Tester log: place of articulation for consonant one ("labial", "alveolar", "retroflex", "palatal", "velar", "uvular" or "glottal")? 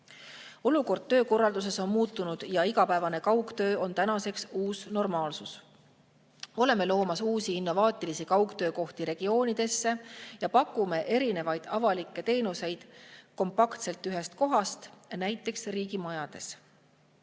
alveolar